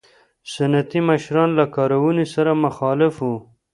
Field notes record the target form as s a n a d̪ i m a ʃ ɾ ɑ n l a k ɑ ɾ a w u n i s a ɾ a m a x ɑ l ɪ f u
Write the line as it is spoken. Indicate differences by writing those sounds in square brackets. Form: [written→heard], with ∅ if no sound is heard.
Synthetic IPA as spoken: s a n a [d̪→t̪] i m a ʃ ɾ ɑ n l a k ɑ ɾ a w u n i s a ɾ a m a x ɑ l ɪ f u